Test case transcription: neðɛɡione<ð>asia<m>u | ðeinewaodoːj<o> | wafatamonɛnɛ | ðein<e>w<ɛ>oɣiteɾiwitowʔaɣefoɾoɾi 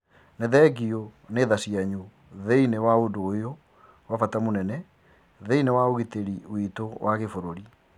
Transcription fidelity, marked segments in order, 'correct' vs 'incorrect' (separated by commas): correct, incorrect, correct, correct, incorrect